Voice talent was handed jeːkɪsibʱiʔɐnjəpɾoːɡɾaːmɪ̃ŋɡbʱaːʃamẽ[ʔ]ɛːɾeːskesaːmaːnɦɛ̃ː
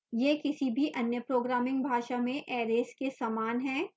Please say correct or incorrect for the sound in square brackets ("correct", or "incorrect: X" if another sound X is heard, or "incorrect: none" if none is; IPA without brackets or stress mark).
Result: correct